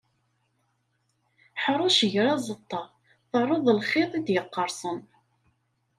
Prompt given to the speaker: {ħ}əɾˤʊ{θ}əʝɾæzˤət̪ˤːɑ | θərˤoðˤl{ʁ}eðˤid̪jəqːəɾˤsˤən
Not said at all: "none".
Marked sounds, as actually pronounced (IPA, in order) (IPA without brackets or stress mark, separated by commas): ħ, ʃ, χ